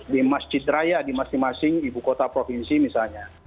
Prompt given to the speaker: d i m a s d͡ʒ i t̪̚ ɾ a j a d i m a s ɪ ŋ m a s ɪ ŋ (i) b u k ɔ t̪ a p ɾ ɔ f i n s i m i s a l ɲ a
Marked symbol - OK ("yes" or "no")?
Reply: yes